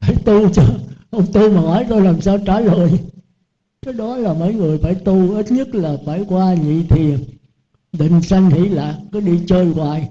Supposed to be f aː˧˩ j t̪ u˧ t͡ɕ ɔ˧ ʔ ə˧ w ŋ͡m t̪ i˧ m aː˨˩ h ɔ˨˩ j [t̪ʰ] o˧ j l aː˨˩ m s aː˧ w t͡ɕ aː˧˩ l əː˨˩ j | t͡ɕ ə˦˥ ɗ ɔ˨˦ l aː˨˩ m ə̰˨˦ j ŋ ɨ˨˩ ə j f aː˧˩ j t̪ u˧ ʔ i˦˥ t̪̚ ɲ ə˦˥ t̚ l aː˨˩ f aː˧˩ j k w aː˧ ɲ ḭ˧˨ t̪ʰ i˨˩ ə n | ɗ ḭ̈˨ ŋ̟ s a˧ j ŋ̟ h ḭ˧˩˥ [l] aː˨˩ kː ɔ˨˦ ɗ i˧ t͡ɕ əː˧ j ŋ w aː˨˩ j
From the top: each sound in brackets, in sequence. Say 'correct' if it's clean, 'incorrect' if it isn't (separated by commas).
incorrect, correct